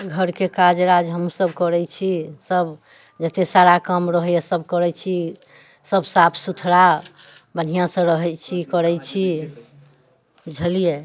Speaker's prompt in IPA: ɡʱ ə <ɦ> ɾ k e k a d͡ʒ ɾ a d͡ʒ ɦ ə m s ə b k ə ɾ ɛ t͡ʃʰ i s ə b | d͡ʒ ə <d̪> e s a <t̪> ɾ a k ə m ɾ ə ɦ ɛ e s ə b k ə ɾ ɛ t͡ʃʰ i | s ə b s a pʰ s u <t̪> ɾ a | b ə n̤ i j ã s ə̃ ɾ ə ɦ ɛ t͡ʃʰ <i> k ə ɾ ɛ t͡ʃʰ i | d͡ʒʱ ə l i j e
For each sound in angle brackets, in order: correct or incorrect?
incorrect: none, incorrect: t̪, incorrect: none, incorrect: t̪ʰ, correct

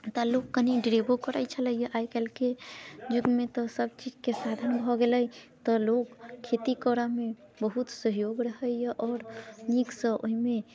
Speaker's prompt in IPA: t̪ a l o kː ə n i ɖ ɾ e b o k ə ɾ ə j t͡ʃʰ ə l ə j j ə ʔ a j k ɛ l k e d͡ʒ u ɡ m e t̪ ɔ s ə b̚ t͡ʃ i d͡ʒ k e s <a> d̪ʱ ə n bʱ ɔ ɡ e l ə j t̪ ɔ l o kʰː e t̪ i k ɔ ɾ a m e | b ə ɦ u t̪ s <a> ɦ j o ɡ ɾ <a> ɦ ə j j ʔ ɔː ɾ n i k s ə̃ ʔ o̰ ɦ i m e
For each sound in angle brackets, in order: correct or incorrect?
correct, incorrect: ə, incorrect: ə

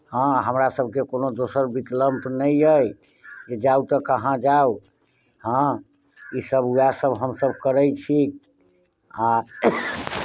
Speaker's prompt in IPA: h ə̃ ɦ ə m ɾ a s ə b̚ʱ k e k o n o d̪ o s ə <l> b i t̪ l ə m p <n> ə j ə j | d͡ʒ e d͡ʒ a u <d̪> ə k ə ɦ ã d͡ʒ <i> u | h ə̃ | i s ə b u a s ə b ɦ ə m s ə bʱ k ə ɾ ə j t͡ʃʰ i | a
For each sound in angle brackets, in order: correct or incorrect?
incorrect: ɾ, correct, incorrect: t̪, incorrect: a

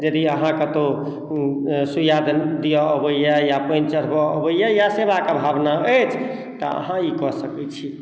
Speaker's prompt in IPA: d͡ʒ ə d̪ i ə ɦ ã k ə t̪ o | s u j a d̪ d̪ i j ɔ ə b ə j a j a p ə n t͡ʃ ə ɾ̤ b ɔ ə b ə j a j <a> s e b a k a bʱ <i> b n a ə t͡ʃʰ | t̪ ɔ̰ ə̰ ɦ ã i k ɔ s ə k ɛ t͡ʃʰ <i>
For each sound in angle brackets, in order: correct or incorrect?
correct, incorrect: a, correct

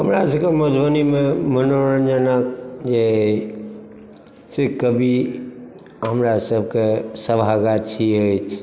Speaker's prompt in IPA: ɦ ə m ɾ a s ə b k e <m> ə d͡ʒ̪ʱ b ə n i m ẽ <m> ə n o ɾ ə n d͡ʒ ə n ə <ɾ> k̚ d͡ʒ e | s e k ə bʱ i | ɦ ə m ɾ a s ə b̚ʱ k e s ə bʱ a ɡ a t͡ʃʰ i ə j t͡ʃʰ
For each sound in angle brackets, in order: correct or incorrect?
correct, correct, incorrect: none

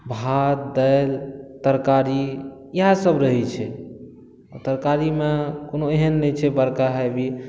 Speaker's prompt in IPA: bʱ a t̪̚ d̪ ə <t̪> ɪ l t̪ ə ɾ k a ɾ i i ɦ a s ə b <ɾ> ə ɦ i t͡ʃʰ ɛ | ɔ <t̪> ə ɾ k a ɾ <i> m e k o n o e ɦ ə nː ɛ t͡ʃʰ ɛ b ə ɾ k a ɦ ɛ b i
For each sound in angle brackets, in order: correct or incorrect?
incorrect: none, correct, correct, correct

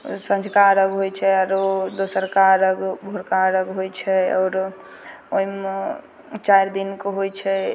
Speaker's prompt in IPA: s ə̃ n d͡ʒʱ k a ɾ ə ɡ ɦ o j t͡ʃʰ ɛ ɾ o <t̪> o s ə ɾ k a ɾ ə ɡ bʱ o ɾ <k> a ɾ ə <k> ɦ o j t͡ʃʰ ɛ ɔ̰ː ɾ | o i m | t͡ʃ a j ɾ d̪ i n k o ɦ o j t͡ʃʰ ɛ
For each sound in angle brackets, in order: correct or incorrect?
incorrect: d̪, correct, incorrect: ɡ

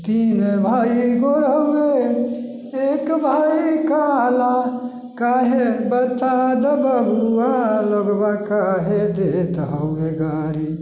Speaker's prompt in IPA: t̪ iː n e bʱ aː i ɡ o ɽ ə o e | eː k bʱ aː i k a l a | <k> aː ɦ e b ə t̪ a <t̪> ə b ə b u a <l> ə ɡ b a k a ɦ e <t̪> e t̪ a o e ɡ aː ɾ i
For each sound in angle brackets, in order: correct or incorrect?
correct, incorrect: d̪, correct, incorrect: d̪

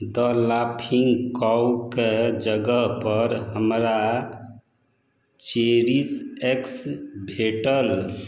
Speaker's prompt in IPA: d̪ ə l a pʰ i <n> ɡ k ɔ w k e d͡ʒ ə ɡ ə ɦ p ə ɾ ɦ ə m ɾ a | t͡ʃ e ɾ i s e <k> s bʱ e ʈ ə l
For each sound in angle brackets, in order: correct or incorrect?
incorrect: ŋ, correct

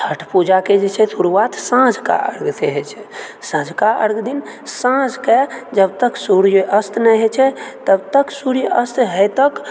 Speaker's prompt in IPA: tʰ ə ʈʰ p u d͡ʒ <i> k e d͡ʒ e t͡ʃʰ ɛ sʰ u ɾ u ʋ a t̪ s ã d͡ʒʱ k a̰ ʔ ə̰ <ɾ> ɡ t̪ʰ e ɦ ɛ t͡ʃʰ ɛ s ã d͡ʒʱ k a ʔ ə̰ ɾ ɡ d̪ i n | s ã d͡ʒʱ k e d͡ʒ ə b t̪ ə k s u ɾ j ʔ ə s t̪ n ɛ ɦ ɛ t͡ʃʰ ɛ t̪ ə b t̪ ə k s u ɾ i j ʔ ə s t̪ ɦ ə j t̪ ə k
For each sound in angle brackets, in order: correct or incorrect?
incorrect: a, correct

